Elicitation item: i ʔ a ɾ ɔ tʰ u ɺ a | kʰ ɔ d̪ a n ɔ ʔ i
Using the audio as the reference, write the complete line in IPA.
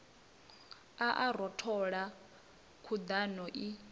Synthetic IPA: a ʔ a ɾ ɔ tʰ ɔ ɺ a | kʰ u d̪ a n ɔ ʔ i